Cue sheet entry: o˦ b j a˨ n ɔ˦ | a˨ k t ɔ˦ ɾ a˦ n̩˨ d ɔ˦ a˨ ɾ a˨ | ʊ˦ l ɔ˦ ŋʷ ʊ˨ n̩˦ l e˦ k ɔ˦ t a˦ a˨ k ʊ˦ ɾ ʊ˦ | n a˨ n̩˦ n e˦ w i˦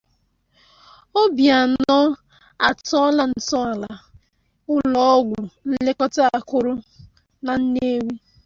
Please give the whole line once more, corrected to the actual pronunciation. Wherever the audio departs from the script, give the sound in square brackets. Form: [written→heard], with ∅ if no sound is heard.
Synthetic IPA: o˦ b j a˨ n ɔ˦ | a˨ [k→∅] t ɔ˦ [ɾ→l] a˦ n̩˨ [d→t] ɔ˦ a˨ [ɾ→l] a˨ | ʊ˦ l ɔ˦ [ŋʷ→ɡʷ] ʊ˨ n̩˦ l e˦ k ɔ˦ t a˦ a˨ k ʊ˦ ɾ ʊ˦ | n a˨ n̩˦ n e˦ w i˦